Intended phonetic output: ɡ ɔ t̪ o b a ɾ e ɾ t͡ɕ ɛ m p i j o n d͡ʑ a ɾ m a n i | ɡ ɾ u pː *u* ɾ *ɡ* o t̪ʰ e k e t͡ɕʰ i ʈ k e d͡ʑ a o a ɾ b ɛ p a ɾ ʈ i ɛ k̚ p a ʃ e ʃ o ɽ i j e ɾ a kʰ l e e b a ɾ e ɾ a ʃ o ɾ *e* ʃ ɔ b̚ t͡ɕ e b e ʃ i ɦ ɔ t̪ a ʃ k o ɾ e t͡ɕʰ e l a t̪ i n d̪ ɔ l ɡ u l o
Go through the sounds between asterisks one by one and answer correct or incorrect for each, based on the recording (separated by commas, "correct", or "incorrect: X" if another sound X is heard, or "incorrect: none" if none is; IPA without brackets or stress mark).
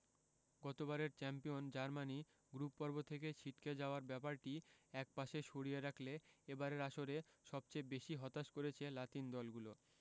incorrect: ɔ, incorrect: b, correct